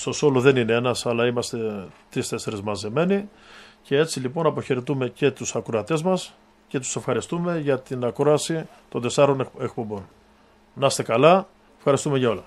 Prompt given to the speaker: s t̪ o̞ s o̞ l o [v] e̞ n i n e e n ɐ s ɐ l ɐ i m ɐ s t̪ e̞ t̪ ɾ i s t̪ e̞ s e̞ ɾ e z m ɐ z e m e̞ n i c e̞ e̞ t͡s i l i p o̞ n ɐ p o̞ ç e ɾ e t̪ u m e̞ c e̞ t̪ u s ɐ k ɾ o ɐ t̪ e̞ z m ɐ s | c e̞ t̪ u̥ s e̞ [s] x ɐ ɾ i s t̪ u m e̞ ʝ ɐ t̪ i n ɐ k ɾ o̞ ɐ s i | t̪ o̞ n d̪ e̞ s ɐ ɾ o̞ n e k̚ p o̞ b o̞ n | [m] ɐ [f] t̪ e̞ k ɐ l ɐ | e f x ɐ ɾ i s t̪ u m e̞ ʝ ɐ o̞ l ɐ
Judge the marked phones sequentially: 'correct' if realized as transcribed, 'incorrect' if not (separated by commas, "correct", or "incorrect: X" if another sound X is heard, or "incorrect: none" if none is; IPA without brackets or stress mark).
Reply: incorrect: ð, incorrect: f, incorrect: n, incorrect: s